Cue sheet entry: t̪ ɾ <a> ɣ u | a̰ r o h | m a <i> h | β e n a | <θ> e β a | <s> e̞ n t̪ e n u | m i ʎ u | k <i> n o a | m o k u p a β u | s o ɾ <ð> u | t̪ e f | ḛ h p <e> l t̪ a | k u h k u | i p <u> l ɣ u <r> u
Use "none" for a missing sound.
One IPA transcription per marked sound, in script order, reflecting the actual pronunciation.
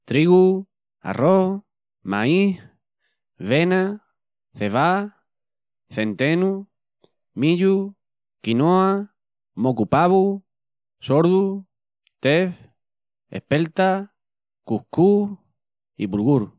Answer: i, i, θ, θ, i, ð, e, u, ɾ

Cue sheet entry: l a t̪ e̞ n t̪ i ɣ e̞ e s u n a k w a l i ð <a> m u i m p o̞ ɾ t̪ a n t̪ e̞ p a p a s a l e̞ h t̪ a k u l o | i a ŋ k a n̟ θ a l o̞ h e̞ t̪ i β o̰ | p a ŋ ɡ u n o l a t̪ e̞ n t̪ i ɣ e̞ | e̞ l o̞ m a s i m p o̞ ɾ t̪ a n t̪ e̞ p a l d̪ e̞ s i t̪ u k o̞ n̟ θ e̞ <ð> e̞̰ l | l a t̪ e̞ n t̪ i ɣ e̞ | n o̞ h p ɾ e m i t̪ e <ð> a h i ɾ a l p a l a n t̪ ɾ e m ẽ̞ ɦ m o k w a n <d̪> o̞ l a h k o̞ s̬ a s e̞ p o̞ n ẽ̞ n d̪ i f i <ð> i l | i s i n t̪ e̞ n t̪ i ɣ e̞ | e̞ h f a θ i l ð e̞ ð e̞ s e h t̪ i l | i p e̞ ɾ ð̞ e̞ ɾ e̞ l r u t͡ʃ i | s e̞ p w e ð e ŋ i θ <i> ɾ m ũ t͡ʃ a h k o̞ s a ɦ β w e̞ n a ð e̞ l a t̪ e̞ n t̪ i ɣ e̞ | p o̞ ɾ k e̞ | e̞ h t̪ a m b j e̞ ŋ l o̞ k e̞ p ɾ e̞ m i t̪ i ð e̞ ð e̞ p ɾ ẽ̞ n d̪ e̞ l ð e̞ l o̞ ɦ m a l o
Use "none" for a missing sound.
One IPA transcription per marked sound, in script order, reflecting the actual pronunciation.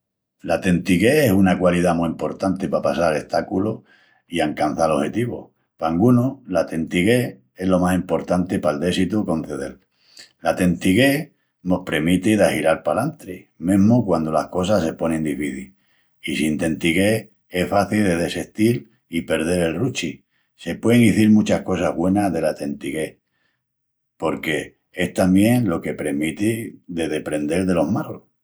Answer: a, ð, ð, d̪, θ, i

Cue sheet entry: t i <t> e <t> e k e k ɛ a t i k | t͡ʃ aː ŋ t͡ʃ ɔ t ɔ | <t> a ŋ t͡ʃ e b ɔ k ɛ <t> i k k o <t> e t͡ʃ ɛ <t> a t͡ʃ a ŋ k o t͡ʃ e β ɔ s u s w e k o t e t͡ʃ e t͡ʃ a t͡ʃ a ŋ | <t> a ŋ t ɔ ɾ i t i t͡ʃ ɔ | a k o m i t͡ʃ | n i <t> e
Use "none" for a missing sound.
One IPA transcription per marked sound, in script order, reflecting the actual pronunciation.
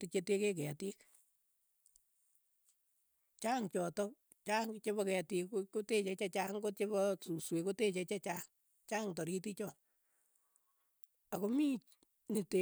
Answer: t͡ʃ, t, t͡ʃ, t, t, t͡ʃ, t͡ʃ, t

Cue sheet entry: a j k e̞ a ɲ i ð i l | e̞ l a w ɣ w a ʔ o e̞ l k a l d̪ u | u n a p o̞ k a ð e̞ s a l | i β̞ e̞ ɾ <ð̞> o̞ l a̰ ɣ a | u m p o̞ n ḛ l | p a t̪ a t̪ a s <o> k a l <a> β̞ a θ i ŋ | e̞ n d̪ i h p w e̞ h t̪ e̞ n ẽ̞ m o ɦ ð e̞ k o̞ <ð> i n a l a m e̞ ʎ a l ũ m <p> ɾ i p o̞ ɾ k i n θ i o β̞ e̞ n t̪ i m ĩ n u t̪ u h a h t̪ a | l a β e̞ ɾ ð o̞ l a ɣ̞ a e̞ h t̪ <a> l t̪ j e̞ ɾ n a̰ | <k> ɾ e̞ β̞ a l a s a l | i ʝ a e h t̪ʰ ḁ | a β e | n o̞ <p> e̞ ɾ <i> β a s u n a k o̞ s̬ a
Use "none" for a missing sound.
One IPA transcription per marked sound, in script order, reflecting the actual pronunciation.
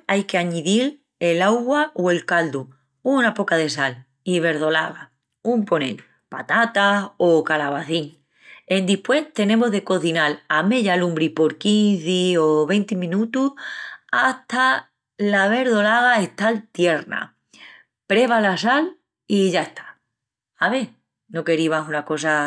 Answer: ð̞, o, a, θ, b, a, p, k, i

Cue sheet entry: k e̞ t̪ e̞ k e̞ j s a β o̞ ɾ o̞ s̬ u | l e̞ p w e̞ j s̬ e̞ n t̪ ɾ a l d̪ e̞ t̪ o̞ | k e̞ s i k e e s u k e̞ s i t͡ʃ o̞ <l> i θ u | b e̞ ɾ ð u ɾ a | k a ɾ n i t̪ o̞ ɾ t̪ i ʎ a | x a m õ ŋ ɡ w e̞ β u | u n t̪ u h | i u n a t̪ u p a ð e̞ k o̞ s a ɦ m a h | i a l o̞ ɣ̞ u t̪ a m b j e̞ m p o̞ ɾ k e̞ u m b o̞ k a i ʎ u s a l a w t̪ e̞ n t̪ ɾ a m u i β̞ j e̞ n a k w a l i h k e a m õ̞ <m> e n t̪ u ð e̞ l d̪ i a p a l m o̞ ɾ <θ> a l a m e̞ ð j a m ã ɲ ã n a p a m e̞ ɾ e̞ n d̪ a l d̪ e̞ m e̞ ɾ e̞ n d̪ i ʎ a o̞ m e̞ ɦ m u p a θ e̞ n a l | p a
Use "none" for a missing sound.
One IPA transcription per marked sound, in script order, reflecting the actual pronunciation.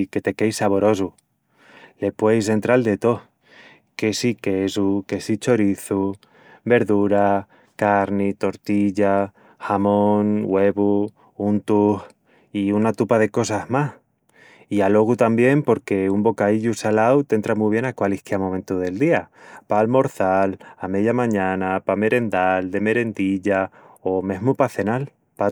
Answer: ɾ, m, θ

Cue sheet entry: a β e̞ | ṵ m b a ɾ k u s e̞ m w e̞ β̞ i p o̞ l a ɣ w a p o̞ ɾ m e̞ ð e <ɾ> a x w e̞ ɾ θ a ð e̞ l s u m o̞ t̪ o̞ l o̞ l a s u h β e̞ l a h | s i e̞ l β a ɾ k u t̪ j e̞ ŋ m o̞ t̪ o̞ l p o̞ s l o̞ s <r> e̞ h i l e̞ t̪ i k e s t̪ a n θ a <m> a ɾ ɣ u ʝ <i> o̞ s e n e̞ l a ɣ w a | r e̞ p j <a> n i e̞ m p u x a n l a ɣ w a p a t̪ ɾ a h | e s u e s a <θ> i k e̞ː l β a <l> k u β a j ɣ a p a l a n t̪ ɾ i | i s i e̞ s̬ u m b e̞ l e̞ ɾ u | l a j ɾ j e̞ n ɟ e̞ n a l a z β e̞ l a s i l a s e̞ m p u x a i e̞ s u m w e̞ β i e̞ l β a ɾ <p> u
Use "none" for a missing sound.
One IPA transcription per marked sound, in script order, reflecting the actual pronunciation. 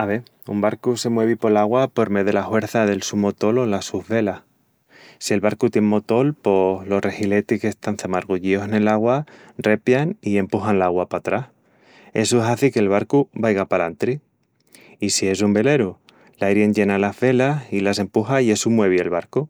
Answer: l, r, m, i, a, θ, ɾ, k

